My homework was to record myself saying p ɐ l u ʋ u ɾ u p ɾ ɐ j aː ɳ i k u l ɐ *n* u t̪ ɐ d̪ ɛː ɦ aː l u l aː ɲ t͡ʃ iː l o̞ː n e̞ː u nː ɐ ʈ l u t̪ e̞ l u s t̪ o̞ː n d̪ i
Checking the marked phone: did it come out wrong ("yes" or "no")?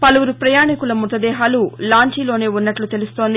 yes